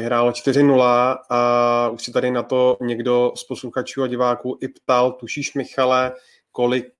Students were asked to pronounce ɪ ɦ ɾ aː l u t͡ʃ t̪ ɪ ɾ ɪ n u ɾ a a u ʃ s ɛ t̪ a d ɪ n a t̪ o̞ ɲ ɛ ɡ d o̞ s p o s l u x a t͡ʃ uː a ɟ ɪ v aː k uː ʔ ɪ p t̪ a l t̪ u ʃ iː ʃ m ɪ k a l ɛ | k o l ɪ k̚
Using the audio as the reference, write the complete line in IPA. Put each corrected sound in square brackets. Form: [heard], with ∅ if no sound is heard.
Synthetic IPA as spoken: ɪ ɦ ɾ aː l [o] t͡ʃ t̪ ɪ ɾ ɪ n u [l] a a u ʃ s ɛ t̪ a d ɪ n a t̪ o̞ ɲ ɛ ɡ d o̞ s p o s l u x a t͡ʃ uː a ɟ ɪ v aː k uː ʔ ɪ p t̪ a l t̪ u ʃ iː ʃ m ɪ [x] a l ɛ | k o l ɪ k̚